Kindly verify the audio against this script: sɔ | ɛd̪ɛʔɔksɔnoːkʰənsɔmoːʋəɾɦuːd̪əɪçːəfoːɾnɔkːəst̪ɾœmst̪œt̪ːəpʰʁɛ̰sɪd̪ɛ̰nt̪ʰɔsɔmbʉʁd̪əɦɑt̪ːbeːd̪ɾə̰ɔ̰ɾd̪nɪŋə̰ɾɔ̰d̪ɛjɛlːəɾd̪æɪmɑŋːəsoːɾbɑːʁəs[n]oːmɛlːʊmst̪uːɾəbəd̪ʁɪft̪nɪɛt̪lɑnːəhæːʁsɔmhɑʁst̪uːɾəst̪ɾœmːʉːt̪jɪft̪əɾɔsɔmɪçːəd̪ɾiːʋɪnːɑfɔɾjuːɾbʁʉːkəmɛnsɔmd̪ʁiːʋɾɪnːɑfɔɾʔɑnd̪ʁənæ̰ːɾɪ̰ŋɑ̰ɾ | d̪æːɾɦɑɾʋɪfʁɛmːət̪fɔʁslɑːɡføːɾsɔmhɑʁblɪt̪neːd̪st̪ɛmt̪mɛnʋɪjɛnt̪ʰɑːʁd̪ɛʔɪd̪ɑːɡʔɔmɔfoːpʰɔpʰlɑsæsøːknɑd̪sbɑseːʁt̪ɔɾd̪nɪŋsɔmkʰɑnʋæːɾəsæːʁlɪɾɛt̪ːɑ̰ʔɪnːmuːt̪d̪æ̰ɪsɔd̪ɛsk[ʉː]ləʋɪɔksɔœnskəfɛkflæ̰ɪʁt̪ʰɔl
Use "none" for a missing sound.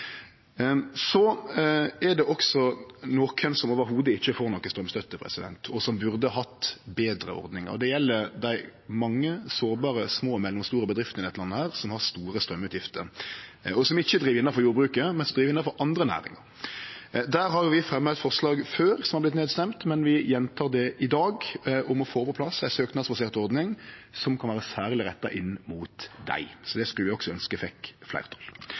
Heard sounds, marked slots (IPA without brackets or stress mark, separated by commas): m, ʉ